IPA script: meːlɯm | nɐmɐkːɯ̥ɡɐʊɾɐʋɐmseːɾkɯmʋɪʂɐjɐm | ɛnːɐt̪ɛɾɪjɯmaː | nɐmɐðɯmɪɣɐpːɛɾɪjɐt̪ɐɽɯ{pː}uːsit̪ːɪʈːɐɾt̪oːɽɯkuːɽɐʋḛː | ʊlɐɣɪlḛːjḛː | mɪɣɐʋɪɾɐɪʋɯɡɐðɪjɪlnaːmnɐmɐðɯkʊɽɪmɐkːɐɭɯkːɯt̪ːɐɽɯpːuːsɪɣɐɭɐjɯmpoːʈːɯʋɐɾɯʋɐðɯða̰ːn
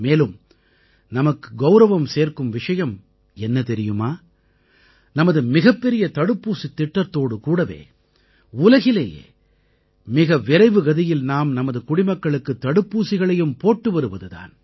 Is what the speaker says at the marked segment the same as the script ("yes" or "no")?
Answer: yes